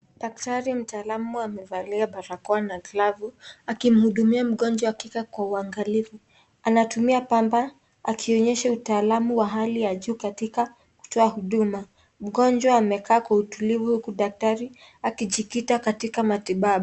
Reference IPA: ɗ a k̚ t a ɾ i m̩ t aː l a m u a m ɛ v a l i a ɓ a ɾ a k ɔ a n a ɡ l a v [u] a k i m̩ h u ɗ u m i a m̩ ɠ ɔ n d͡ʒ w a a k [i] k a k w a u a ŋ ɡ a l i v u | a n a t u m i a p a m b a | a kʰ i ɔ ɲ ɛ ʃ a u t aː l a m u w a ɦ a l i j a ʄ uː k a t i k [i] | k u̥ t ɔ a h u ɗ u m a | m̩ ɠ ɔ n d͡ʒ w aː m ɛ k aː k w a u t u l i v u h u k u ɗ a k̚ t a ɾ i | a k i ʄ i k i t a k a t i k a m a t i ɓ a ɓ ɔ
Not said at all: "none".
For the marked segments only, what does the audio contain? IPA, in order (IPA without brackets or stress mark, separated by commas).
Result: u, i, a